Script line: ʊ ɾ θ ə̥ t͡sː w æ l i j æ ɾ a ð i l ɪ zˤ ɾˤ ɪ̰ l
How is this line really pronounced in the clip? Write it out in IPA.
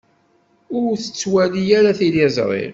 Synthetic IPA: ʊ ɾ θ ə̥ t͡sː w æ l i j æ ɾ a θ i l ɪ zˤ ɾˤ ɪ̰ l